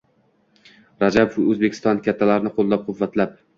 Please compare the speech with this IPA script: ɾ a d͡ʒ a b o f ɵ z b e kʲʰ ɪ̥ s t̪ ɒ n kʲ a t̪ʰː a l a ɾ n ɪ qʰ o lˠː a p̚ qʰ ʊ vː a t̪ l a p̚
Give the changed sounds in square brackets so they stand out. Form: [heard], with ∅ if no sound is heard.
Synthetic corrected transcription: ɾ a d͡ʒ a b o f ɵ z b e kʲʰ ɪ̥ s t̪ ɒ n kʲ a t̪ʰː a l a ɾ n ɪ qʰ o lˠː a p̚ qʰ ʊ vː a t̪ l a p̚